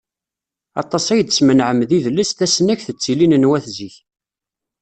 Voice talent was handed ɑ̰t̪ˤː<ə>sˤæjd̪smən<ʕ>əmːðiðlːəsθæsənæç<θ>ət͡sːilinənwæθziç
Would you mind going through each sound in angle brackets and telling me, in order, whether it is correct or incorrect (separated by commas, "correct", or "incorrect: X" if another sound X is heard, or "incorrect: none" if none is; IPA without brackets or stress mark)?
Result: incorrect: ɑ, correct, correct